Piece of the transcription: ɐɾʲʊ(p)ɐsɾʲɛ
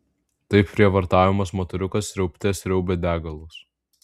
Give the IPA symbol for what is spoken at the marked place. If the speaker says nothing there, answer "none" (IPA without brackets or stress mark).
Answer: k